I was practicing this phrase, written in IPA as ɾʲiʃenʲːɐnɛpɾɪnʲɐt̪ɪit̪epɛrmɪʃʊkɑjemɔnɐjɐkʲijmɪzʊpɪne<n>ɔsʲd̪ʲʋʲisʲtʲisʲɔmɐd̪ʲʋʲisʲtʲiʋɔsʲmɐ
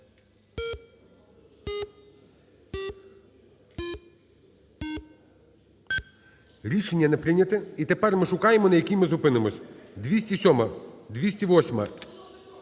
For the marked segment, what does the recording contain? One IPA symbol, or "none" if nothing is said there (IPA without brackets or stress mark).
m